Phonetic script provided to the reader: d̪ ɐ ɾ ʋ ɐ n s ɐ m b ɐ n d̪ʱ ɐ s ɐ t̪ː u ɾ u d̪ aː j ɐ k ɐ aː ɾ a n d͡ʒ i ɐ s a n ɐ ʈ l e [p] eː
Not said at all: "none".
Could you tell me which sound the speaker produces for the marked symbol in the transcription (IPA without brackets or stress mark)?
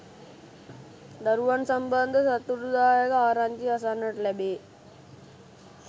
b